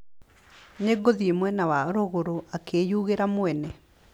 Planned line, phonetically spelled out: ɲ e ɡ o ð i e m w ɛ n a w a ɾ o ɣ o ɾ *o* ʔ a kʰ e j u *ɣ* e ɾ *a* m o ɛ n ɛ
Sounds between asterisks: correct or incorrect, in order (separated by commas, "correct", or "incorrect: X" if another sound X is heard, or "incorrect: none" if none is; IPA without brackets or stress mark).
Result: correct, correct, correct